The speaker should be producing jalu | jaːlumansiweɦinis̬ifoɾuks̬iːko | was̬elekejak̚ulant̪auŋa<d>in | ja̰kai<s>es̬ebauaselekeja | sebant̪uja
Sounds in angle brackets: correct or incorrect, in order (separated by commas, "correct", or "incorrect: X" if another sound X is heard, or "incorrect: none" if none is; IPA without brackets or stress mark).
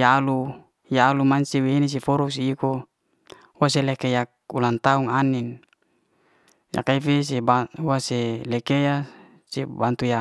incorrect: n, incorrect: f